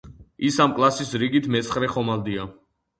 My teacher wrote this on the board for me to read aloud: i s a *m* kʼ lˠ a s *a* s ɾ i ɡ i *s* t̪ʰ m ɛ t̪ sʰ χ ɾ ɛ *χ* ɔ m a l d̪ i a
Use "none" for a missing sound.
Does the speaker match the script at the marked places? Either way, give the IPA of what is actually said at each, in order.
m, i, none, χ

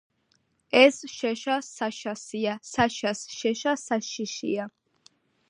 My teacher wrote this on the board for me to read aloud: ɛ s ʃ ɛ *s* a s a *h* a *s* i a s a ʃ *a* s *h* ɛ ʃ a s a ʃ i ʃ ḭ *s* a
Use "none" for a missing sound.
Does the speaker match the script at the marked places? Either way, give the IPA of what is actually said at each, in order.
ʃ, ʃ, s, a, ʃ, none

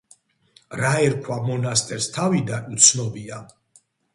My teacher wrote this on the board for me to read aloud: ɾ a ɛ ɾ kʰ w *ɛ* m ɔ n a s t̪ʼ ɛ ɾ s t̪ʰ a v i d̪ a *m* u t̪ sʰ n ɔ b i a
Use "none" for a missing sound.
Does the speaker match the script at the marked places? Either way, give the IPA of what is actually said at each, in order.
a, n

